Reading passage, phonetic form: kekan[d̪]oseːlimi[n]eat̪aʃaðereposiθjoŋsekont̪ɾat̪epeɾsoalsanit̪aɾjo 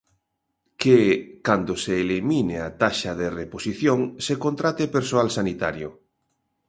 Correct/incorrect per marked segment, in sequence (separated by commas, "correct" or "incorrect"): correct, correct